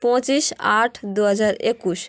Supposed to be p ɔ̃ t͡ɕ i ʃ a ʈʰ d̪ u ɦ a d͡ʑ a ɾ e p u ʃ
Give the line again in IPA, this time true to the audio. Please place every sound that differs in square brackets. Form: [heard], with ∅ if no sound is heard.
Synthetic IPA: p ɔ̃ t͡ɕ i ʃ a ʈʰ d̪ u ɦ a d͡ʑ a ɾ e [k] u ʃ